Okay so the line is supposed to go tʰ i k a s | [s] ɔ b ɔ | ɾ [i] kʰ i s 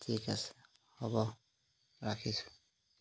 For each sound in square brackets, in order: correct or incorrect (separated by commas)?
incorrect, incorrect